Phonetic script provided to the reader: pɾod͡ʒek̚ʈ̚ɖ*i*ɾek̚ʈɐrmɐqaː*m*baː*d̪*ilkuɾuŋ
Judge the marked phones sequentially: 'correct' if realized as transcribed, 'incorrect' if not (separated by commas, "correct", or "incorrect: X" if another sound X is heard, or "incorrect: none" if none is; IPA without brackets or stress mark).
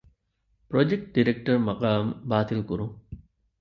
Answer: correct, correct, incorrect: t̪